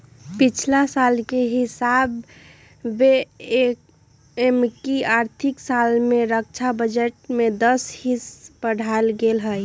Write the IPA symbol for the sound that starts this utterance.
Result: p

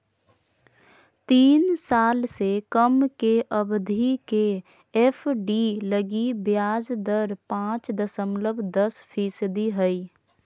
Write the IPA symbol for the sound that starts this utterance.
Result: t̪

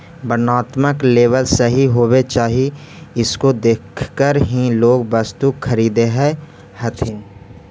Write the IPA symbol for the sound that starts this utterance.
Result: b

